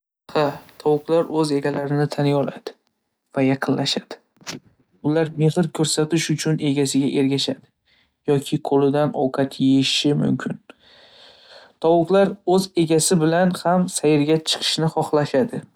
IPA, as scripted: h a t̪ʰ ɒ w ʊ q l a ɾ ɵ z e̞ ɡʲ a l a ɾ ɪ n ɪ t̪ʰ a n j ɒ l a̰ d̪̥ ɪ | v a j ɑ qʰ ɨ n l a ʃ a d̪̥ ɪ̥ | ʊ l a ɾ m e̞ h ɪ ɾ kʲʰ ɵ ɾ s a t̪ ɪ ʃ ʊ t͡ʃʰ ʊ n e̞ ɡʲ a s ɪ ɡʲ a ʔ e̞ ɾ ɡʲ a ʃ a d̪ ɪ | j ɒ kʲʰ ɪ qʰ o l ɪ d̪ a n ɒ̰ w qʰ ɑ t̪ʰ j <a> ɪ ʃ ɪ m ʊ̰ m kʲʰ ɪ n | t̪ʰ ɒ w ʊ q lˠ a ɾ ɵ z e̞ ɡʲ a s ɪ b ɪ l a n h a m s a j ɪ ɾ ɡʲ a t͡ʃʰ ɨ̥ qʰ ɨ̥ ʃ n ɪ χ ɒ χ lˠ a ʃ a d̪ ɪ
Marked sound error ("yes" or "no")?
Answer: yes